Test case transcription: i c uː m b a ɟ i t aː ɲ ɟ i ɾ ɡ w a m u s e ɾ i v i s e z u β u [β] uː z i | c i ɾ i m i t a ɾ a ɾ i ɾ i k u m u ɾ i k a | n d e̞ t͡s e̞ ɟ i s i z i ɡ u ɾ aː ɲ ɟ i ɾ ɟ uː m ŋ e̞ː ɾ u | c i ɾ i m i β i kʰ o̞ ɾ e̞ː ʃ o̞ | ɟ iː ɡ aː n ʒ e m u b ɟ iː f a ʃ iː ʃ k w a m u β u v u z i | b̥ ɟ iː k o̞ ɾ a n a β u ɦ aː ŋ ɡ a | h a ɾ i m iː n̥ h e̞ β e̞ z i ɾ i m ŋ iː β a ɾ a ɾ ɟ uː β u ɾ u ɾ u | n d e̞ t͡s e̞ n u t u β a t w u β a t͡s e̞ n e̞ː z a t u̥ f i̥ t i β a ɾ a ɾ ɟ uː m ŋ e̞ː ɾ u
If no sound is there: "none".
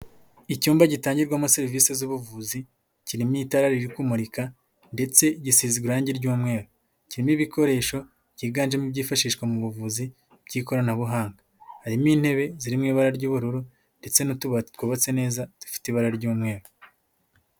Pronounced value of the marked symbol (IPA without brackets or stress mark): v